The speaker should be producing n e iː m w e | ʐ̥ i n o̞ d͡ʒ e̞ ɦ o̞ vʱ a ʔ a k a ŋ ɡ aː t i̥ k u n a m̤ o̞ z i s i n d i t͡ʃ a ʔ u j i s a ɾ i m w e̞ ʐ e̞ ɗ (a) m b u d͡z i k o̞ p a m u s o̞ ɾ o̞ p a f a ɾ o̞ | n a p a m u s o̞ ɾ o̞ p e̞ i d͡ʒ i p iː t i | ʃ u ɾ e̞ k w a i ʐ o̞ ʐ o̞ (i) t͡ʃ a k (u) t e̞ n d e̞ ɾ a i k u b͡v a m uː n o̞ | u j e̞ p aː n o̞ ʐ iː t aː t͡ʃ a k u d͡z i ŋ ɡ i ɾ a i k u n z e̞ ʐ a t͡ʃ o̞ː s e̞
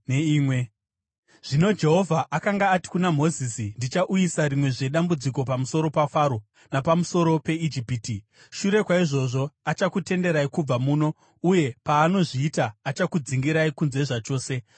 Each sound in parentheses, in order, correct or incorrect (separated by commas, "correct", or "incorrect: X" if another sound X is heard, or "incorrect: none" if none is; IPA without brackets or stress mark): correct, incorrect: a, correct